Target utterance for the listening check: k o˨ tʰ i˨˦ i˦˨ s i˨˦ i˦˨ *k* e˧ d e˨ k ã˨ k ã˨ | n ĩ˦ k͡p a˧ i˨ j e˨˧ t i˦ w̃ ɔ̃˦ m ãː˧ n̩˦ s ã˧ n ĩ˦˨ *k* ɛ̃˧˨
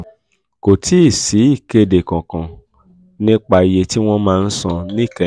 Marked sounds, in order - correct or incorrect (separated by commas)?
correct, correct